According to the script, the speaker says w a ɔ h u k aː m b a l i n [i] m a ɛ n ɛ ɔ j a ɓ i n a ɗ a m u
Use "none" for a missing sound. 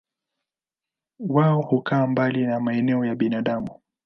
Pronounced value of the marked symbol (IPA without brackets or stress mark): a